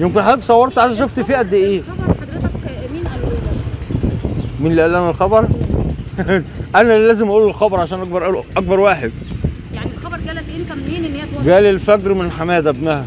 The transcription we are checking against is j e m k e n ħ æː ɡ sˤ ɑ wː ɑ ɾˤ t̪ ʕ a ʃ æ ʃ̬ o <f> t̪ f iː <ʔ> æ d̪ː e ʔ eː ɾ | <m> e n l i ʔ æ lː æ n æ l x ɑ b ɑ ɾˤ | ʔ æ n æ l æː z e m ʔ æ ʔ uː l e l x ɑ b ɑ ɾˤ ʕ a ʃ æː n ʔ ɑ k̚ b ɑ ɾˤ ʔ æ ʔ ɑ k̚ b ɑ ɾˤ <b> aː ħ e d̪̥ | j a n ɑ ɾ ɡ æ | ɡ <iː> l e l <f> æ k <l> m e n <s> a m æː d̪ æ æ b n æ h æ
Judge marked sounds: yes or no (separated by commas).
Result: yes, yes, yes, no, no, yes, no, no